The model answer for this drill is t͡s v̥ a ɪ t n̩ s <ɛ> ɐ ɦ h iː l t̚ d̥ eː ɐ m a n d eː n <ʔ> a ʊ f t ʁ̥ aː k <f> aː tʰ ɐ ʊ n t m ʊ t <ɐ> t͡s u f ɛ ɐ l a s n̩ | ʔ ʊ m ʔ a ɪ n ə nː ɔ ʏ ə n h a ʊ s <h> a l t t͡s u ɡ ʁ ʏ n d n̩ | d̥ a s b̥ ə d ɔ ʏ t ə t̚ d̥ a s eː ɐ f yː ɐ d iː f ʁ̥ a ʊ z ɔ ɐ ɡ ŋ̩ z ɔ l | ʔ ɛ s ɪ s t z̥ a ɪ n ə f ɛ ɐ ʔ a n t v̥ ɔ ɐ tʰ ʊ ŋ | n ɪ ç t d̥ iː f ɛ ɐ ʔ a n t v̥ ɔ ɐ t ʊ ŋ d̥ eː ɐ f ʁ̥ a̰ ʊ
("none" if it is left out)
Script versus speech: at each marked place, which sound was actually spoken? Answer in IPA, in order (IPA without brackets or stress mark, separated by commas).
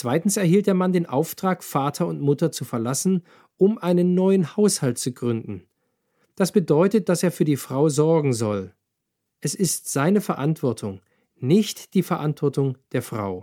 ɛ, ʔ, f, ɐ, h